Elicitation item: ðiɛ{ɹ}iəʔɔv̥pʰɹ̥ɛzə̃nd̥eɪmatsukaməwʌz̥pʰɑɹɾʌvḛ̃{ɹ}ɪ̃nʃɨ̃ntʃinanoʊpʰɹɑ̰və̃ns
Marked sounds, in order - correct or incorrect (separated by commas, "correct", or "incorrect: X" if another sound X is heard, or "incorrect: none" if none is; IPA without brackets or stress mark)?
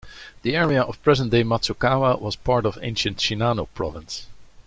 correct, incorrect: none